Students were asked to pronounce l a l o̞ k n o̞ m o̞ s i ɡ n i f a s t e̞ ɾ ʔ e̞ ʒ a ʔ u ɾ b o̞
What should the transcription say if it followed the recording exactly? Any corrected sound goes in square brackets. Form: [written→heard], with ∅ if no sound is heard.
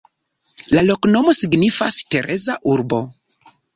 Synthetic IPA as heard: l a l o̞ k n o̞ m o̞ s i ɡ n i f a s t e̞ ɾ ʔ e̞ [ʒ→z] a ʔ u ɾ b o̞